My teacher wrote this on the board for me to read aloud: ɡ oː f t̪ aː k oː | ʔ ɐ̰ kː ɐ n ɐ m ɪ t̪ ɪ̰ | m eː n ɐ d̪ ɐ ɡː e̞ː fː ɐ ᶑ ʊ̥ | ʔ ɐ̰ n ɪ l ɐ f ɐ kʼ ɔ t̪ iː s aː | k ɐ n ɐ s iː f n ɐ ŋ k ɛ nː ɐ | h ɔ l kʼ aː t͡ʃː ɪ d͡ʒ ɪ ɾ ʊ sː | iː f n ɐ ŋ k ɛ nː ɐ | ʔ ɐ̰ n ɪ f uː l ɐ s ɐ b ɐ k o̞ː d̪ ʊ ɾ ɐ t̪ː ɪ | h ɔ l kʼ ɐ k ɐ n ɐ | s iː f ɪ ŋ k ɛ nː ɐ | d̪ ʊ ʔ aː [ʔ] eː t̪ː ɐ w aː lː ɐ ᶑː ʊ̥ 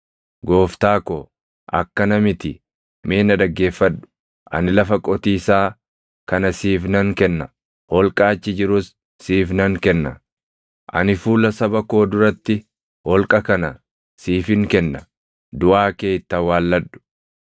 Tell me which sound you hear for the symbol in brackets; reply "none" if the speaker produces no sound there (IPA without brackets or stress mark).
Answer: k